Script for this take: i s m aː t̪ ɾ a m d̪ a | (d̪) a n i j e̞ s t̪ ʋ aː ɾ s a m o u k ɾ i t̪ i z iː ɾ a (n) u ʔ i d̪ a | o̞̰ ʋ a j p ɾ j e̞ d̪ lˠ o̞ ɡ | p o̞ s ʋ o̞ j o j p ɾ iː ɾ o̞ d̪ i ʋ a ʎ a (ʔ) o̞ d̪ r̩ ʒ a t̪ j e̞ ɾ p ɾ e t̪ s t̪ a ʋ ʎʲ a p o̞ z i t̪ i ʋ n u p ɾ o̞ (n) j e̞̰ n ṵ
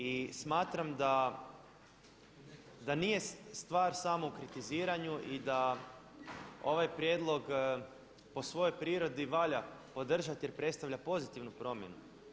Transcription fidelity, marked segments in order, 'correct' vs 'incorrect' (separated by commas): correct, incorrect, incorrect, incorrect